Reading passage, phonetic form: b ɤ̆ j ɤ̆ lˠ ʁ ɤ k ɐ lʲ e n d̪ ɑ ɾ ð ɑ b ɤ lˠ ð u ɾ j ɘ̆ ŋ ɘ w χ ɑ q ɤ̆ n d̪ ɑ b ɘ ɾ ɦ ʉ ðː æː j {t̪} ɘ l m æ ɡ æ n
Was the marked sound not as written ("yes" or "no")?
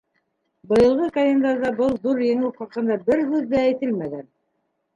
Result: no